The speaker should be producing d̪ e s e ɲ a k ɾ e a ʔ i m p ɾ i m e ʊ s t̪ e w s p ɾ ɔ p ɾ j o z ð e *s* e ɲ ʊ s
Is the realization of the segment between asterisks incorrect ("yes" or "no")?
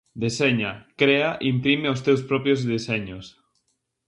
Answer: no